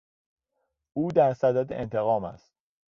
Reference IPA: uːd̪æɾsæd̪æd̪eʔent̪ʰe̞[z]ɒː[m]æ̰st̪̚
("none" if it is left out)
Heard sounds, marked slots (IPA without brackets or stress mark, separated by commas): ɣ, m